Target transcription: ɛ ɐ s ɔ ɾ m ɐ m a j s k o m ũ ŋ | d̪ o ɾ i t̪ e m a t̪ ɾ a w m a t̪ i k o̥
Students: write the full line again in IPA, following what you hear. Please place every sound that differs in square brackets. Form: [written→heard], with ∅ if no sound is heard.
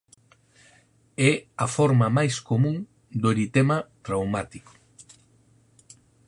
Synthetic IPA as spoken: ɛ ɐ [s→f] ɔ ɾ m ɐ m a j s k o m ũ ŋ | d̪ o ɾ i t̪ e m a t̪ ɾ a w m a t̪ i k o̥